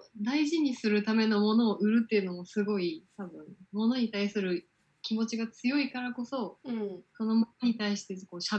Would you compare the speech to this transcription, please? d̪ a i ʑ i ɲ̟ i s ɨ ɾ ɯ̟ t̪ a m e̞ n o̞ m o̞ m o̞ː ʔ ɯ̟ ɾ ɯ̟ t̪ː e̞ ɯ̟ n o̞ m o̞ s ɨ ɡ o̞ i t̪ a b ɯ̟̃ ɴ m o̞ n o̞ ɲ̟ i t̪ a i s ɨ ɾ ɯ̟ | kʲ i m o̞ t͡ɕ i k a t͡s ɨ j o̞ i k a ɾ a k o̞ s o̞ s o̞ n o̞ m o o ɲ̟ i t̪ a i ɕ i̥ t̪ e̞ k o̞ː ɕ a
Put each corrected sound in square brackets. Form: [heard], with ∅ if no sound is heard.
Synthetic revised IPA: d̪ a i ʑ i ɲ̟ i s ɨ ɾ ɯ̟ t̪ a m e̞ n o̞ m o̞ [n] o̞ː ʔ ɯ̟ ɾ ɯ̟ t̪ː e̞ ɯ̟ n o̞ m o̞ s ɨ ɡ o̞ i t̪ a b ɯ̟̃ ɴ m o̞ n o̞ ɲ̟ i t̪ a i s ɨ ɾ ɯ̟ | kʲ i m o̞ t͡ɕ i [ɡ] a t͡s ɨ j o̞ i k a ɾ a k o̞ s o̞ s o̞ n o̞ m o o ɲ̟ i t̪ a i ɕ i̥ t̪ e̞ k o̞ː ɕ a